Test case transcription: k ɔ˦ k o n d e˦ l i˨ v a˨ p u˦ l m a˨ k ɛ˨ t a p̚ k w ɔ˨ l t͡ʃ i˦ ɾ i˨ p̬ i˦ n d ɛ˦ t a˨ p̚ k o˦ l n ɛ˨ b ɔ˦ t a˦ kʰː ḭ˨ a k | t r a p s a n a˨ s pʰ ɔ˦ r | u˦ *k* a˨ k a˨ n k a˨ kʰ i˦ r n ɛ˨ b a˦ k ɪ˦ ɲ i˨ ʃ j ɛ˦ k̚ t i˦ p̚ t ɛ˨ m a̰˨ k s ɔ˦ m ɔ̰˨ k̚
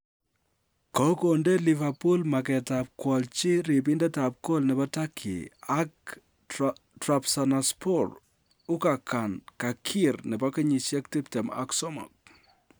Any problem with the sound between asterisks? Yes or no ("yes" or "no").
no